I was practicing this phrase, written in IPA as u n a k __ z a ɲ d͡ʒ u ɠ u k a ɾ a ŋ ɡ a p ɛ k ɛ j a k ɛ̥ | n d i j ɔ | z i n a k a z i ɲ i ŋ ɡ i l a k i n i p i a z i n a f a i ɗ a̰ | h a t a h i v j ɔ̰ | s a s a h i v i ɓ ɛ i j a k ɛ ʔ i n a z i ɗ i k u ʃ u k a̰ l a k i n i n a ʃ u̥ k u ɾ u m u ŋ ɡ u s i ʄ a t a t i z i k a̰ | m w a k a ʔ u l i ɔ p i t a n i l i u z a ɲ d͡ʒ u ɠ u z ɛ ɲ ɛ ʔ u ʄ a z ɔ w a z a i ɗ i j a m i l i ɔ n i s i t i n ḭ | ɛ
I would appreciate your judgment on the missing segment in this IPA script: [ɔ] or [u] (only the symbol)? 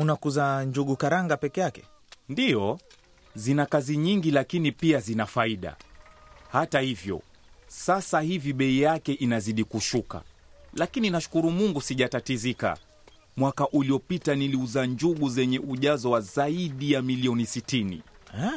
u